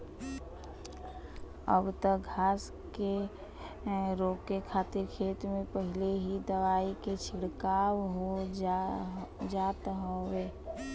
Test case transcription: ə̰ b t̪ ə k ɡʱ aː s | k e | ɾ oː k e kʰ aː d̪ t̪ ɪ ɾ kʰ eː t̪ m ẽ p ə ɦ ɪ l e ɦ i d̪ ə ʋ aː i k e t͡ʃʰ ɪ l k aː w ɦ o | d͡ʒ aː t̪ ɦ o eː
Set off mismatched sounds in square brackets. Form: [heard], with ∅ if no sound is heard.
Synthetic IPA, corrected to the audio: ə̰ b t̪ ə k ɡʱ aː s | k e | ɾ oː k e kʰ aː [∅] t̪ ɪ ɾ kʰ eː t̪ m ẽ p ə ɦ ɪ l e ɦ i d̪ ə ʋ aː i k e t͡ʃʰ ɪ [ɽ] k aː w ɦ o | d͡ʒ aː t̪ ɦ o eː